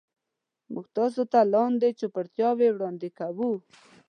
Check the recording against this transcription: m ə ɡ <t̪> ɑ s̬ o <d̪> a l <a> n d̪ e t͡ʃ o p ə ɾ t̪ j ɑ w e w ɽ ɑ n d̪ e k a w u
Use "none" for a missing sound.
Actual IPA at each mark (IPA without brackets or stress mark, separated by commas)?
t̪, t̪, ɑ